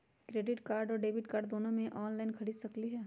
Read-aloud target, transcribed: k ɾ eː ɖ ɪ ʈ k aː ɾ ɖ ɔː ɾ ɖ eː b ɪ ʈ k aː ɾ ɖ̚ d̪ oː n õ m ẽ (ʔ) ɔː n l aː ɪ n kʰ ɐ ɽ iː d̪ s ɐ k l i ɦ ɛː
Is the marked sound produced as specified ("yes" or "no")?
yes